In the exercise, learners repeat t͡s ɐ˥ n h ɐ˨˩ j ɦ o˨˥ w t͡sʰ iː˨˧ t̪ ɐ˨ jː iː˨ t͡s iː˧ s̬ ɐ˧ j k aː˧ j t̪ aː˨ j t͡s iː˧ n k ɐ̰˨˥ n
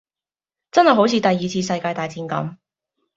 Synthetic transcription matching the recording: t͡s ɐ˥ n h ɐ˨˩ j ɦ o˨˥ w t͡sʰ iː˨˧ t̪ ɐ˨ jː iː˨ t͡sʰ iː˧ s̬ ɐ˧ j k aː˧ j t̪ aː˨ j t͡s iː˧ n k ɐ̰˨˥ m

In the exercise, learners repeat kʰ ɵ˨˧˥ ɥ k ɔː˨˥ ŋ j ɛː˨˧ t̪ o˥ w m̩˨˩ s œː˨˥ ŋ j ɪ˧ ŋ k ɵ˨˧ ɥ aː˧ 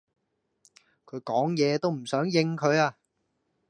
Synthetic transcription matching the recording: kʰ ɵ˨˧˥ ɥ k ɔː˨˥ ŋ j ɛː˨˧ t̪ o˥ w m̩˨˩ s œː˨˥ ŋ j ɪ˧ ŋ kʰ ɵ˨˧ ɥ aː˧

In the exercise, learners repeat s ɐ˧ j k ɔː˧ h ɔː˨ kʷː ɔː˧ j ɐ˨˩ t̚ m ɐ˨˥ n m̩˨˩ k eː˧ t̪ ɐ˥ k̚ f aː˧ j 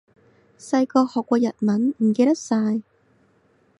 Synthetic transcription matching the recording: s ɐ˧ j k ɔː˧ h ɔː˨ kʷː ɔː˧ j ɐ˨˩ t̚ m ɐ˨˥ n m̩˨˩ k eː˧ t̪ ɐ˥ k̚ s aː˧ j

